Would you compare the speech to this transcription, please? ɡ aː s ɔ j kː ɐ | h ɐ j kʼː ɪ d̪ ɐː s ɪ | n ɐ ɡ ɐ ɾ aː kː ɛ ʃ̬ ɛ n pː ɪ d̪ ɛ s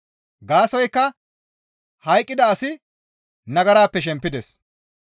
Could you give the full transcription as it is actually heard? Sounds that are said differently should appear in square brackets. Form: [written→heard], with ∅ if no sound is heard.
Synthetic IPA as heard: ɡ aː s ɔ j kː ɐ | h ɐ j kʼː ɪ d̪ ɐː s ɪ | n ɐ ɡ ɐ ɾ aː [kː→pː] ɛ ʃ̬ ɛ [n→m] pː ɪ d̪ ɛ s